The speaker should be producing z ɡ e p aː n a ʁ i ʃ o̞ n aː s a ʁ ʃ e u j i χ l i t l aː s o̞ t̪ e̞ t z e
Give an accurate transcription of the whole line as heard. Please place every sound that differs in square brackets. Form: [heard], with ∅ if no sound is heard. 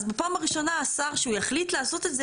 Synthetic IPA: z [b] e p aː [m] a ʁ i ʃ o̞ n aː s a ʁ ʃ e u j [a] χ l i t l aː s o̞ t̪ e̞ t z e